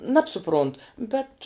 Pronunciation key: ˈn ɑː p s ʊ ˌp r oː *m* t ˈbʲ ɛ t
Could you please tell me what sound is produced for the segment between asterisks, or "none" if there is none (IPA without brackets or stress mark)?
n